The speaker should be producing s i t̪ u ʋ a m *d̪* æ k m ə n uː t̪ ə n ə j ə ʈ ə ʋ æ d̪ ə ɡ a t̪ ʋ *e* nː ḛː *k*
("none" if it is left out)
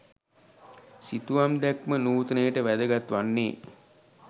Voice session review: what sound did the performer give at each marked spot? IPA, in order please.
d̪, a, none

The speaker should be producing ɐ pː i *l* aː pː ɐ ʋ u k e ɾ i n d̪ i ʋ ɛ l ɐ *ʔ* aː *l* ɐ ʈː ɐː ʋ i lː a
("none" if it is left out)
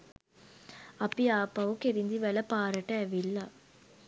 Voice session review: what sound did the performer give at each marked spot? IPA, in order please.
none, p, ɾ

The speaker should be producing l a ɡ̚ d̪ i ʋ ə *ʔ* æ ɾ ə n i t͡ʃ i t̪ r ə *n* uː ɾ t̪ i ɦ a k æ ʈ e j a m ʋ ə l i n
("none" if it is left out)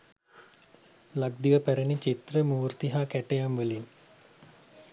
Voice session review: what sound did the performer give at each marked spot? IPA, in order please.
p, m

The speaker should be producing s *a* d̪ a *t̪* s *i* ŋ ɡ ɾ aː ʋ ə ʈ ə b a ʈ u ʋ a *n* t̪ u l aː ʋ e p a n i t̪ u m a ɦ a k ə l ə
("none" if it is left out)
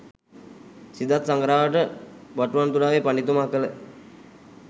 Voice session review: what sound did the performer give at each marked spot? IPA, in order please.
i, t̪, a, n

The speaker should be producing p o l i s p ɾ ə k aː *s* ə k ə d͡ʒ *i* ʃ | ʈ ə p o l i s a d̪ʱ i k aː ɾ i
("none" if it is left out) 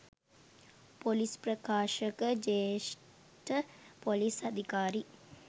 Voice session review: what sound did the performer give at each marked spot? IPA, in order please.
ʃ, e

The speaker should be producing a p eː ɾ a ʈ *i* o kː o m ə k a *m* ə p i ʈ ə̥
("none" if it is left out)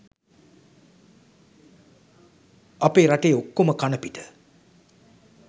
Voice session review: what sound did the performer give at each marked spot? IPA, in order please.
e, n

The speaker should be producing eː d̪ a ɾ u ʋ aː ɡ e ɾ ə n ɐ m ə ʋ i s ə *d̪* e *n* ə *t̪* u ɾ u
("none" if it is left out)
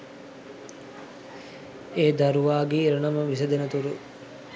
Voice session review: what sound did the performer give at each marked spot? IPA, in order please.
d̪, n, t̪

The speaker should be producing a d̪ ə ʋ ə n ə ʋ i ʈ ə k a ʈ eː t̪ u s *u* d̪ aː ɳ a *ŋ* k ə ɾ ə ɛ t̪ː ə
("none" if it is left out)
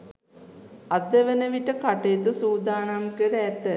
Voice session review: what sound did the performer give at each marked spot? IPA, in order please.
uː, m

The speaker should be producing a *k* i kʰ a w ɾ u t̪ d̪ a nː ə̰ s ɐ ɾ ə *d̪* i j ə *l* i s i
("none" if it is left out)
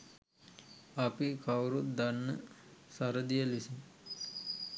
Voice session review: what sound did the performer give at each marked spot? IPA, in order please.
p, d̪, l

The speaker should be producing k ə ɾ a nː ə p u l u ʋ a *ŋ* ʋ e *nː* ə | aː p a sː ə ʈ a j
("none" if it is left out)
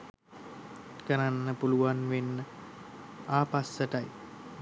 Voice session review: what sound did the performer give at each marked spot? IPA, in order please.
n, nː

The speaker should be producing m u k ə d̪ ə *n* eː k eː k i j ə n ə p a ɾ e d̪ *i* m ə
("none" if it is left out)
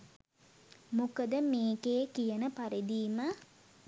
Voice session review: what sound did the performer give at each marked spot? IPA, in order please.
m, iː

